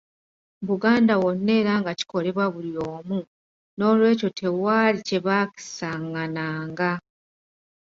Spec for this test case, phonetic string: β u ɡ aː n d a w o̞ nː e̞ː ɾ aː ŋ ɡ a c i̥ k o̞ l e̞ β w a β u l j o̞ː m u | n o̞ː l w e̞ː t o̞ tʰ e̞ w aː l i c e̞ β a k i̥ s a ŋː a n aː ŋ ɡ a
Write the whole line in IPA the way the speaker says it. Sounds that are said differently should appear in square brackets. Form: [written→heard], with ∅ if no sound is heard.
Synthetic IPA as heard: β u ɡ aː n d a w o̞ nː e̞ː ɾ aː ŋ ɡ a c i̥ k o̞ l e̞ β w a β u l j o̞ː m u | n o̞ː l w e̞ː [t→c] o̞ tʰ e̞ w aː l i c e̞ β a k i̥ s a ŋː a n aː ŋ ɡ a